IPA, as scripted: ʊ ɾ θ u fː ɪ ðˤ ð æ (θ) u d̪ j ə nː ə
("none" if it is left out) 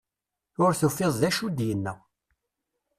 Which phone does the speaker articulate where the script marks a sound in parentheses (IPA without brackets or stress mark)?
ʃ